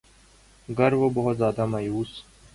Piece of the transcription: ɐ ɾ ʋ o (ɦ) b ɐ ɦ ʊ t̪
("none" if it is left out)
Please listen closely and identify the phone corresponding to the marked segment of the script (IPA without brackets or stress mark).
none